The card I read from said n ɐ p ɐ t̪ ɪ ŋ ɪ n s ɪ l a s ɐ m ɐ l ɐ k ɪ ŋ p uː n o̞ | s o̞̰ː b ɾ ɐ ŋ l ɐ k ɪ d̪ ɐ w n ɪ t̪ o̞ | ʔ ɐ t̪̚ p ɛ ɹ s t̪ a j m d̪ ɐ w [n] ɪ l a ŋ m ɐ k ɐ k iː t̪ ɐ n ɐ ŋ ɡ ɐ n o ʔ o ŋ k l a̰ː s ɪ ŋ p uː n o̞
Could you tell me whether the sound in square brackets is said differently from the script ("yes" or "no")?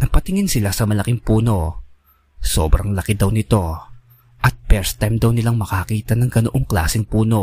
no